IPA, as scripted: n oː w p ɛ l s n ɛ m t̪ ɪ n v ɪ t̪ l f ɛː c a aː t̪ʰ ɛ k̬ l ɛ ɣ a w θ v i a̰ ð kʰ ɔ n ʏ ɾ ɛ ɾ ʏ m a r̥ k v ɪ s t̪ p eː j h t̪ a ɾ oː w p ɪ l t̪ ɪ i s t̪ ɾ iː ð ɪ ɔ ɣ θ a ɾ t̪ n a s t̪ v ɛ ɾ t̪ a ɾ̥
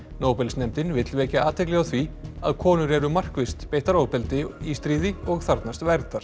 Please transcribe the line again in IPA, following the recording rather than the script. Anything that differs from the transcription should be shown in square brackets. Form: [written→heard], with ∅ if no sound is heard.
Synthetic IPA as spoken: n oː w p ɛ l s n ɛ m t̪ ɪ n v ɪ t̪ l [f→v] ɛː c a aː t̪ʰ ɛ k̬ l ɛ ɣ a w θ v i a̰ ð kʰ [ɔ→ɔː] n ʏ ɾ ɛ ɾ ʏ m a r̥ k v ɪ s t̪ p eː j h t̪ a ɾ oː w p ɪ l t̪ ɪ i s t̪ ɾ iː ð ɪ ɔ ɣ θ a ɾ t̪ n a s t̪ v ɛ ɾ t̪ a ɾ̥